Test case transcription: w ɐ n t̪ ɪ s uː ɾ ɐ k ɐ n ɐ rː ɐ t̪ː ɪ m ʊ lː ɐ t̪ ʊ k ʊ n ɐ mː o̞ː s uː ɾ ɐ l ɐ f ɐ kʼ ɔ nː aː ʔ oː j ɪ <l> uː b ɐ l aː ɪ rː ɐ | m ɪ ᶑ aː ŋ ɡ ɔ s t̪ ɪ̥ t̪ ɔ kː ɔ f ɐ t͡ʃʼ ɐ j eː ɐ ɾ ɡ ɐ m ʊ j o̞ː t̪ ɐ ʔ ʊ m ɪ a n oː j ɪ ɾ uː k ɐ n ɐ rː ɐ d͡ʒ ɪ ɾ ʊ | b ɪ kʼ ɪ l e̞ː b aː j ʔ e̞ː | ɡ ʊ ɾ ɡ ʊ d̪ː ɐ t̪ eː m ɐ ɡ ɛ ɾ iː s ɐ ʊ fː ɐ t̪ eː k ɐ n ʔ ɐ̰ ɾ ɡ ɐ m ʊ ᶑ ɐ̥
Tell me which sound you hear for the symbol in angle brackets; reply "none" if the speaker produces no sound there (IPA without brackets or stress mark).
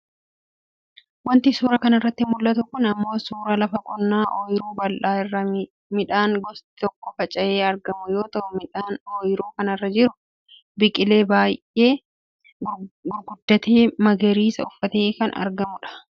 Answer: ɾ